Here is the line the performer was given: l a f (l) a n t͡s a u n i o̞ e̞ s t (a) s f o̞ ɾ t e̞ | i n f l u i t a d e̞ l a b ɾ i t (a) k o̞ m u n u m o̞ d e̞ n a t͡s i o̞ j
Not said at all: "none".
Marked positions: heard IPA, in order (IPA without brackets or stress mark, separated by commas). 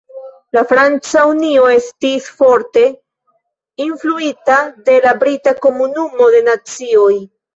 ɾ, i, a